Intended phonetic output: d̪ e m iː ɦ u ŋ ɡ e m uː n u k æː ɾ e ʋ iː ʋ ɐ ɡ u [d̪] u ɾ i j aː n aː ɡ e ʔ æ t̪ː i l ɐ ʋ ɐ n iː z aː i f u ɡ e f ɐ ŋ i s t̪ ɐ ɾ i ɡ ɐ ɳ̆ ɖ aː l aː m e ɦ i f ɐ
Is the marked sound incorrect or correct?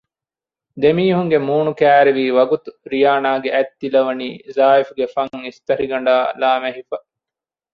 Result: incorrect